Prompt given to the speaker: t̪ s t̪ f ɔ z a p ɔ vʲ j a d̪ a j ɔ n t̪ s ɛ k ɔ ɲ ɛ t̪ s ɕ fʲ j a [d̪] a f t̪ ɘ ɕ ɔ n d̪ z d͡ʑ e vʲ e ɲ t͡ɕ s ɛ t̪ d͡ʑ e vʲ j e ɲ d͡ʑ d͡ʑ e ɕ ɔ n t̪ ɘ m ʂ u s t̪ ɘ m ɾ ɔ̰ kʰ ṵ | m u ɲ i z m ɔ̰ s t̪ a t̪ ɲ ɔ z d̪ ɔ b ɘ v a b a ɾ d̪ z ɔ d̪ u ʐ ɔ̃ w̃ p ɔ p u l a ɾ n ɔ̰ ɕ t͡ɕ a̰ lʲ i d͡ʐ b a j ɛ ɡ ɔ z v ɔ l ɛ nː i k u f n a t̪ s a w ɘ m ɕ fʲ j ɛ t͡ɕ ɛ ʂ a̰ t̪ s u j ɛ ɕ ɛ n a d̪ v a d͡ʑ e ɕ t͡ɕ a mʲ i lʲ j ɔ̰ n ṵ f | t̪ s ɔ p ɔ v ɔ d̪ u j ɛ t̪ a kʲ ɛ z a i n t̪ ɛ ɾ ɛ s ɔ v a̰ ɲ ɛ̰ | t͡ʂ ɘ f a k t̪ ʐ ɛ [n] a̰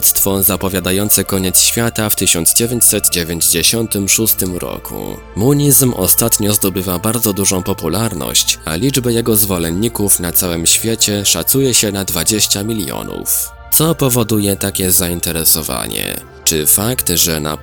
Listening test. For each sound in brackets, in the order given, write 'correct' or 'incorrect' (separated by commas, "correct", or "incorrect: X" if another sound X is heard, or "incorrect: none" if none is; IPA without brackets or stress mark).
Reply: incorrect: t̪, correct